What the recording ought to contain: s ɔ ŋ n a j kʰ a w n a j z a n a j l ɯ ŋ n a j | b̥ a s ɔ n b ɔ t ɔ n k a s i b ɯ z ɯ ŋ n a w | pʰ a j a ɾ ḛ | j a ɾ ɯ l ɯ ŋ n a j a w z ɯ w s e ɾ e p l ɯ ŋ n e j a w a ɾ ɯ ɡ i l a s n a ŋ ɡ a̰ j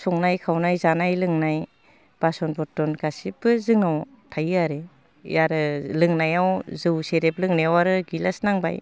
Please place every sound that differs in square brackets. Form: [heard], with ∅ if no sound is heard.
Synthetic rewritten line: s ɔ ŋ n a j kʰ a w n a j z a n a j l ɯ ŋ n a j | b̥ a s ɔ n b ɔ t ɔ n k a s i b ɯ z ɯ ŋ n a w | [tʰ] a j a ɾ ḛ | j a ɾ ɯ l ɯ ŋ n a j a w z ɯ w s e ɾ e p l ɯ ŋ n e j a w a ɾ ɯ ɡ i l a s n a ŋ [b] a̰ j